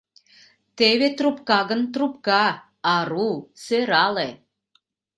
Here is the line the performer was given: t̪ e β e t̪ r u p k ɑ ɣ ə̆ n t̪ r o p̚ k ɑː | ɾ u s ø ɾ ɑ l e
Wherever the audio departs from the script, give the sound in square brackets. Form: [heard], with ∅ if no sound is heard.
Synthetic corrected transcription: t̪ e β e t̪ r u p k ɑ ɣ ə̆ n t̪ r [u] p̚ k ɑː | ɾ u s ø ɾ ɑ l e